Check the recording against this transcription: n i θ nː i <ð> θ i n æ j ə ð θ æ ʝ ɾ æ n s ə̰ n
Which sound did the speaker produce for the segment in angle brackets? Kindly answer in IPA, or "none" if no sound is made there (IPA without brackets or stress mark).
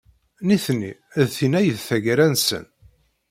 ð